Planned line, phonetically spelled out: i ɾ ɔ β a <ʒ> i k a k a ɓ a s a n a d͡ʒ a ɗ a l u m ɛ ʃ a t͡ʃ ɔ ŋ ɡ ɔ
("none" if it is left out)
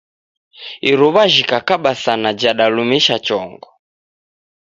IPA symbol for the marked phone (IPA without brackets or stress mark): ʒ